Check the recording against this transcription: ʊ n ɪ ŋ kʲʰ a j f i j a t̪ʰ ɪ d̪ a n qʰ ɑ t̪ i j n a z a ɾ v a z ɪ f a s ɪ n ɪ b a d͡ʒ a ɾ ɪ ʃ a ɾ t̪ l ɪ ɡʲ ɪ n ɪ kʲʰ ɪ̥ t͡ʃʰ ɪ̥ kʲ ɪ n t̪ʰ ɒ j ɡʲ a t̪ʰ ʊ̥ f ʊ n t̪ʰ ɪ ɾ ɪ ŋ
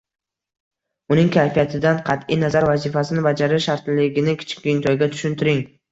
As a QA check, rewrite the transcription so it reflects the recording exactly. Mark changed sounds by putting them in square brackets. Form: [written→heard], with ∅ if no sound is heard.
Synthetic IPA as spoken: ʊ n ɪ ŋ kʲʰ a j f i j a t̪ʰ ɪ d̪ a n qʰ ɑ t̪ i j n a z a ɾ v a z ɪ f a s ɪ n ɪ b a d͡ʒ a ɾ ɪ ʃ a ɾ t̪ l ɪ ɡʲ ɪ n ɪ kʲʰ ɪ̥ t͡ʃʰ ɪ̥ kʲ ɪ n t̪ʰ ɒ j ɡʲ a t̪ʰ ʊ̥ [f→ʃ] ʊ n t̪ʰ ɪ ɾ ɪ ŋ

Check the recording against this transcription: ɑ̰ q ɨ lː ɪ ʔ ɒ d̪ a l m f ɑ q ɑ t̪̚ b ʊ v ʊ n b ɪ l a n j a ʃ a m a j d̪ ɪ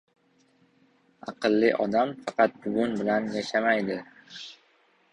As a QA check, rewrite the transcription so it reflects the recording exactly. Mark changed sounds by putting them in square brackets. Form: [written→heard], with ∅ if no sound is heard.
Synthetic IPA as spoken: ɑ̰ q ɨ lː ɪ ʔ ɒ d̪ a [l→∅] m f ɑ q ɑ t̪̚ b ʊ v ʊ n b ɪ l a n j a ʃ a m a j d̪ ɪ

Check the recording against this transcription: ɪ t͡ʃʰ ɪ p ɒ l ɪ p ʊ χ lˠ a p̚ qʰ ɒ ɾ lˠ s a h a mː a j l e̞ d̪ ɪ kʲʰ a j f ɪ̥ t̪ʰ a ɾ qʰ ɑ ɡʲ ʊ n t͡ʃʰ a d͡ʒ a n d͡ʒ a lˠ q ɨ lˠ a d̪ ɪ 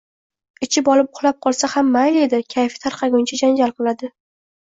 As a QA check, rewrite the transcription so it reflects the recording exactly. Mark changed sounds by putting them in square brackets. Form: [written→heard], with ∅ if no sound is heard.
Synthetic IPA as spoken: ɪ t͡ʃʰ ɪ [p→b] ɒ l ɪ p ʊ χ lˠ a p̚ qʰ ɒ [ɾ→∅] lˠ s a h a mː a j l e̞ d̪ ɪ kʲʰ a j f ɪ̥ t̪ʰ a ɾ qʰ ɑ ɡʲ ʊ n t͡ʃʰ a d͡ʒ a n d͡ʒ a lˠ q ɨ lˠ a d̪ ɪ

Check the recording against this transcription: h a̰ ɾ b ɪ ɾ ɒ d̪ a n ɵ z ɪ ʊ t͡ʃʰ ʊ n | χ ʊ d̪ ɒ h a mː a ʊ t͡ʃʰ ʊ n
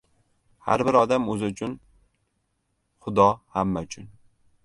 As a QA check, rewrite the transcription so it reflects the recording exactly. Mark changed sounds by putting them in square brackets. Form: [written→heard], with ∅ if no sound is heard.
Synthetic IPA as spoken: h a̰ ɾ b ɪ ɾ ɒ d̪ a [n→m] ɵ z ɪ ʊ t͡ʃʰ ʊ n | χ ʊ d̪ ɒ h a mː a ʊ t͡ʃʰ ʊ n

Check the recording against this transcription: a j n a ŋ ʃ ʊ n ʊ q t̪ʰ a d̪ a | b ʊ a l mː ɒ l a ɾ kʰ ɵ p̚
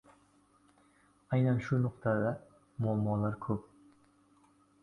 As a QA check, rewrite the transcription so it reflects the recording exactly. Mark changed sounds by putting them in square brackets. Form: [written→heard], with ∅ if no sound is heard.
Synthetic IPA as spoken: a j n a [ŋ→n] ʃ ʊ n ʊ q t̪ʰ a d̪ a | [b→m] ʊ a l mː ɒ l a ɾ kʰ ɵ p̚

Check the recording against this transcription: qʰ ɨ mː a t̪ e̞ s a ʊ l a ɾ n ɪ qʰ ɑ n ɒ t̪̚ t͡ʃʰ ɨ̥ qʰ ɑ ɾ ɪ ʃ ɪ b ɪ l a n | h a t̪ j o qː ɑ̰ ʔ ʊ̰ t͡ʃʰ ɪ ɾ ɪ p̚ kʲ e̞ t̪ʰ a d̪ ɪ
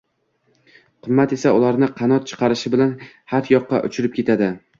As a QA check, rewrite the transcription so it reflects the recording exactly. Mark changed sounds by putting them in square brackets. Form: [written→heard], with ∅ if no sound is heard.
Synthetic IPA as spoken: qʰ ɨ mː a t̪ e̞ s a ʊ l a ɾ n ɪ qʰ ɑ n ɒ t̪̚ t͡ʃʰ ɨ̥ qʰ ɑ ɾ ɪ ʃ ɪ b ɪ l a n | h a t̪ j [o→ɒ] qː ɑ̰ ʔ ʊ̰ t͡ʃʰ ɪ ɾ ɪ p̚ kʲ e̞ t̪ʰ a d̪ ɪ

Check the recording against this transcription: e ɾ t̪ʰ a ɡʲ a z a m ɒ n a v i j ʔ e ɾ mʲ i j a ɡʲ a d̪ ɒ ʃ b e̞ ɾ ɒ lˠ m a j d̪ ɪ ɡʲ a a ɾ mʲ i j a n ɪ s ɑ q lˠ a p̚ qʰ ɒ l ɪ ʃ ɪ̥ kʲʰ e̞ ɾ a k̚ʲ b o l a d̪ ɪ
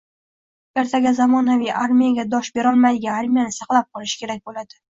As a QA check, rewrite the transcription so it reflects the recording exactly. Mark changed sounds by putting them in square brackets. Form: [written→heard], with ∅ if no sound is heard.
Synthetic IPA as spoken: e ɾ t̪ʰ a ɡʲ a z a m ɒ n a v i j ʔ [e→a] ɾ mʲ i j a ɡʲ a d̪ ɒ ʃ b e̞ ɾ ɒ lˠ m a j d̪ ɪ ɡʲ a a ɾ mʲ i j a n ɪ s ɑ q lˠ a p̚ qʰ ɒ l ɪ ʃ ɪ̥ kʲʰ e̞ ɾ a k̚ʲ b o l a d̪ ɪ

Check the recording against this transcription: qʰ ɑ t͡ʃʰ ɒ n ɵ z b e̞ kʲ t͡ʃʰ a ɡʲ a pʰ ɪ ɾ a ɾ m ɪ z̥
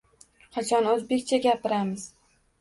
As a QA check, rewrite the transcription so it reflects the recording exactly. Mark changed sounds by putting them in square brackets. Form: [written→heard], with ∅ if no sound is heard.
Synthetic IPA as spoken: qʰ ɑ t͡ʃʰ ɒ n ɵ z b e̞ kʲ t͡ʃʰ a ɡʲ a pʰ ɪ ɾ a [ɾ→∅] m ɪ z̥

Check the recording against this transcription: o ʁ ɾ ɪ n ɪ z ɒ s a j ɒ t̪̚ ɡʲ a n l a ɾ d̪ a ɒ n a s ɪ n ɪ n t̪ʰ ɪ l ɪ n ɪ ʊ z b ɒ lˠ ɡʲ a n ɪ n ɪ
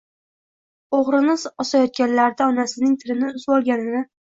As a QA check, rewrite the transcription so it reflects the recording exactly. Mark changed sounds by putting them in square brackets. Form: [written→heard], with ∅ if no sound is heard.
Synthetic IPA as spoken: o ʁ ɾ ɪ n ɪ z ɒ s a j ɒ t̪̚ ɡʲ a n l a ɾ d̪ a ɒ n a s ɪ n ɪ [n→ŋ] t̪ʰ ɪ [l→ɾ] ɪ n ɪ ʊ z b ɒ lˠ ɡʲ a n ɪ n ɪ

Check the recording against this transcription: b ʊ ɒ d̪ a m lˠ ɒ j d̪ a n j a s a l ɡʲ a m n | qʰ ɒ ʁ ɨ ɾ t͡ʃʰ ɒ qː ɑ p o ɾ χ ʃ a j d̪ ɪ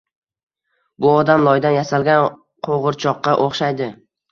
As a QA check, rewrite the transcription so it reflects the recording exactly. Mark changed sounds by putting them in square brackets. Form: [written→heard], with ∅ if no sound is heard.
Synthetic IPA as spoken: b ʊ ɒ d̪ a m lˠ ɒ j d̪ a n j a s a l ɡʲ a [m→∅] n | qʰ [ɒ→o] ʁ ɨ ɾ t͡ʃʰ ɒ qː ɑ [p→ʔ] o [ɾ→∅] χ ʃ a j d̪ ɪ

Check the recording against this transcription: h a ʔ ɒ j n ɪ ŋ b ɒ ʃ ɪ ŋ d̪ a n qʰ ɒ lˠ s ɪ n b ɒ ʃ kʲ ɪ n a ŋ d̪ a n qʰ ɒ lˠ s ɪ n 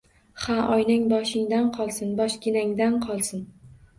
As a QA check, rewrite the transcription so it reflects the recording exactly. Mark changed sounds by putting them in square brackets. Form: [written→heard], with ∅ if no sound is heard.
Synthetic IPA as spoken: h a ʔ ɒ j n ɪ ŋ b ɒ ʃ ɪ ŋ d̪ a n qʰ ɒ lˠ s ɪ n b ɒ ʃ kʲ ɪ n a ŋ d̪ a n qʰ ɒ lˠ s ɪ n

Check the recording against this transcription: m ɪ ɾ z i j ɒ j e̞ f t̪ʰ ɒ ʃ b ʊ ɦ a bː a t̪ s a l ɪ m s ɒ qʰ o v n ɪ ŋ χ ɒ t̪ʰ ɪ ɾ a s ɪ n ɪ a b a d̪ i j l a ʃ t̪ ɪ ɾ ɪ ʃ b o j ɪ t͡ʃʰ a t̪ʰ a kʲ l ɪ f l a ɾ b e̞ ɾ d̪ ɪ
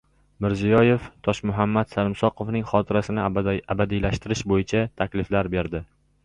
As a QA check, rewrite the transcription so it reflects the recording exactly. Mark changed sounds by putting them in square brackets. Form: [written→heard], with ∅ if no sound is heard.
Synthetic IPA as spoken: m ɪ ɾ z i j ɒ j e̞ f t̪ʰ ɒ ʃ [b→m] ʊ ɦ a [bː→mː] a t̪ s a l ɪ m s ɒ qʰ o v n ɪ ŋ χ ɒ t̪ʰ ɪ ɾ a s ɪ n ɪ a b a d̪ i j l a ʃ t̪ ɪ ɾ ɪ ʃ b o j ɪ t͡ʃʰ a t̪ʰ a kʲ l ɪ f l a ɾ b e̞ ɾ d̪ ɪ

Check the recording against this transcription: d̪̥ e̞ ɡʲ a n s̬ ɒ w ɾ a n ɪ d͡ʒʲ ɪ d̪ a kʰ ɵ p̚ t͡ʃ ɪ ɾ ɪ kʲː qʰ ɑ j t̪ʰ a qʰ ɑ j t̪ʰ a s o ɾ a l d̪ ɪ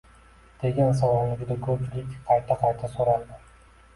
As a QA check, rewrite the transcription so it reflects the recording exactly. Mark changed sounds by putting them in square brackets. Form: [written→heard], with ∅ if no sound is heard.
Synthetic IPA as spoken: d̪̥ e̞ ɡʲ a n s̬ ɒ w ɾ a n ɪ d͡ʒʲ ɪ d̪ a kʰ ɵ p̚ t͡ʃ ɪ [ɾ→l] ɪ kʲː qʰ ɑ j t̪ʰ a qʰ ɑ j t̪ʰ a s o ɾ a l d̪ ɪ

